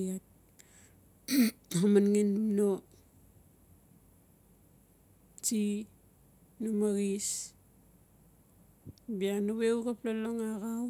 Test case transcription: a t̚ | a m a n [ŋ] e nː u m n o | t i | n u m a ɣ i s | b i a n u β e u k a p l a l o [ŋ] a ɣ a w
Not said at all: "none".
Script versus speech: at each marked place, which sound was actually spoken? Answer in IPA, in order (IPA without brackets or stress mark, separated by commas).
ŋ, ŋ